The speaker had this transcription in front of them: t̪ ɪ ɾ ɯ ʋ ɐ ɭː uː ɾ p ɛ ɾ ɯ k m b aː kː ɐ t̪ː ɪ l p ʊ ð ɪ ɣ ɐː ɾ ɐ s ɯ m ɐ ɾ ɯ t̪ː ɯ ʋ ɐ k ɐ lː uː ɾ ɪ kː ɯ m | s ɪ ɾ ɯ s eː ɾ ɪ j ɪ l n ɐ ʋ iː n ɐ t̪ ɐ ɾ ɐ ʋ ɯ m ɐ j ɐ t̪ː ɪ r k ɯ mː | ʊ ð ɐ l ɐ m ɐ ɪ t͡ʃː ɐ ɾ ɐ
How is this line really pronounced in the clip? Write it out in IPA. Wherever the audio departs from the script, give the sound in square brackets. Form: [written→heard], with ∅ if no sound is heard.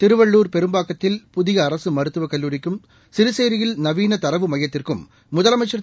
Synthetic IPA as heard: t̪ ɪ ɾ ɯ ʋ ɐ ɭː uː ɾ p ɛ ɾ ɯ [k→∅] m b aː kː ɐ t̪ː ɪ l p ʊ ð ɪ ɣ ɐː ɾ ɐ s ɯ m ɐ ɾ ɯ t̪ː ɯ ʋ ɐ k ɐ lː uː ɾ ɪ kː ɯ m | s ɪ ɾ ɯ s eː ɾ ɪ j ɪ l n ɐ ʋ iː n ɐ t̪ ɐ ɾ ɐ ʋ ɯ m ɐ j ɐ t̪ː ɪ r k ɯ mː | ʊ ð ɐ l ɐ m ɐ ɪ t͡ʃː ɐ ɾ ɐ

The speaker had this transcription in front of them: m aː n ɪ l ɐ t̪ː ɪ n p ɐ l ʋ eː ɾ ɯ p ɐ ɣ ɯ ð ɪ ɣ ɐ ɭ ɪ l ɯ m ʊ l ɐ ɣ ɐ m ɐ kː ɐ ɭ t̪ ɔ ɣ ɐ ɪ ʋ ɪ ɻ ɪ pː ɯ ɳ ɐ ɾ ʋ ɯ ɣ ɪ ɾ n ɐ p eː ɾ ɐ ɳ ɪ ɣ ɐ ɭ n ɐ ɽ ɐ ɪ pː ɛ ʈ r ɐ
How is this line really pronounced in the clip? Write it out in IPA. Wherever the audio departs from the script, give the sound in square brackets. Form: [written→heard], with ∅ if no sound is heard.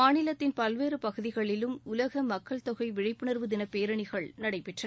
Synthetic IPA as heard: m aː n ɪ l ɐ t̪ː ɪ n p ɐ l ʋ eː ɾ ɯ p ɐ ɣ ɯ ð ɪ ɣ ɐ ɭ ɪ l ɯ m ʊ l ɐ ɣ ɐ m ɐ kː ɐ ɭ t̪ ɔ ɣ ɐ ɪ ʋ ɪ ɻ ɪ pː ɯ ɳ ɐ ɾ ʋ ɯ [ɣ→ð] ɪ [ɾ→∅] n ɐ p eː ɾ ɐ ɳ ɪ ɣ ɐ ɭ n ɐ ɽ ɐ ɪ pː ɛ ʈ r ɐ

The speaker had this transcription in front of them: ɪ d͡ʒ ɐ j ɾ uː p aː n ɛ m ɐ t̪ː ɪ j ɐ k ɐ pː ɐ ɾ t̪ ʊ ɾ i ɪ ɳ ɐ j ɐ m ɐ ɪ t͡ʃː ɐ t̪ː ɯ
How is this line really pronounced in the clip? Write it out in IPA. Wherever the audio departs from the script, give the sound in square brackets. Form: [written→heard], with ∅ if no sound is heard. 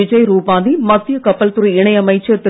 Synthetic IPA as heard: ɪ d͡ʒ ɐ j ɾ uː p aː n [ɛ→i] m ɐ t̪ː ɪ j ɐ k ɐ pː ɐ [ɾ→l] t̪ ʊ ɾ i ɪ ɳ ɐ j ɐ m ɐ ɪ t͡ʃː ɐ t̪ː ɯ

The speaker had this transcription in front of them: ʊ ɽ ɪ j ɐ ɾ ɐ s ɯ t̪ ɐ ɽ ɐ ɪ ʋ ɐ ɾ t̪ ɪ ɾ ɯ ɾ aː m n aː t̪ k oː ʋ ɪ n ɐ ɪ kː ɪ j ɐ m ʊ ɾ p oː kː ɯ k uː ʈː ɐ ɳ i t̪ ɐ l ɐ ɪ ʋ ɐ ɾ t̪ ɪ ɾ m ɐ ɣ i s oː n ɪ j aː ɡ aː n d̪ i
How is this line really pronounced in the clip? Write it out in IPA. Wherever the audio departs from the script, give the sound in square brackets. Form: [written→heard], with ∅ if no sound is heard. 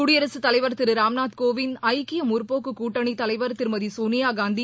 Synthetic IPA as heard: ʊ ɽ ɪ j ɐ ɾ ɐ s ɯ t̪ ɐ [ɽ→l] ɐ ɪ ʋ ɐ ɾ t̪ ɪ ɾ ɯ ɾ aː m n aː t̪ k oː ʋ ɪ n ɐ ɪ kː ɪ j ɐ m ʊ ɾ p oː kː ɯ k uː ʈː ɐ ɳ i t̪ ɐ l ɐ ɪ ʋ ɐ ɾ t̪ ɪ ɾ m ɐ [ɣ→ð] i s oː n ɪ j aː ɡ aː n d̪ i

